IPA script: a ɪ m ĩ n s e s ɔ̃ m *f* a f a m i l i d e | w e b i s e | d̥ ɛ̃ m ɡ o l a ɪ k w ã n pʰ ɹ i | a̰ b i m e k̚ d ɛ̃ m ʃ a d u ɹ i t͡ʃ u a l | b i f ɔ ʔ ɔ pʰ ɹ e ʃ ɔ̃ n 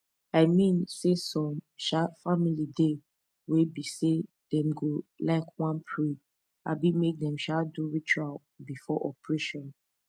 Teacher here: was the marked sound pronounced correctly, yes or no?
no